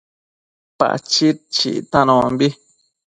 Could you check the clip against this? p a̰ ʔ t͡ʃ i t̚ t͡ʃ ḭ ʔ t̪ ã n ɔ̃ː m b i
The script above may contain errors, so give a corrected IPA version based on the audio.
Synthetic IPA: p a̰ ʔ t͡ʃ i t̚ t͡ʃ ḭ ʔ t̪ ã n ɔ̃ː m b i